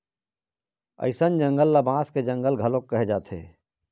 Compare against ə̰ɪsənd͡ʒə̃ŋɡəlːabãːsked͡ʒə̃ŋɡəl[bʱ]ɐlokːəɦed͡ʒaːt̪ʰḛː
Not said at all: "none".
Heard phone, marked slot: ɡʱ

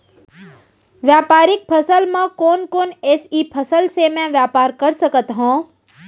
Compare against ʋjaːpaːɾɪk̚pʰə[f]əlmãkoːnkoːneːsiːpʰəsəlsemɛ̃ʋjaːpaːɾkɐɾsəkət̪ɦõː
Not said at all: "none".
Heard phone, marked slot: s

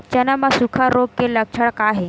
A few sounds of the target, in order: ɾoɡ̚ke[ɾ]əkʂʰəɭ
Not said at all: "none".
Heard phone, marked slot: l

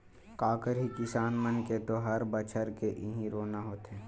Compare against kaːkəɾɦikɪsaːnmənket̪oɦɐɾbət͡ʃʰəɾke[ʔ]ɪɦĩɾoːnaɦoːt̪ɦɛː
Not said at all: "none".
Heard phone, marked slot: ʔ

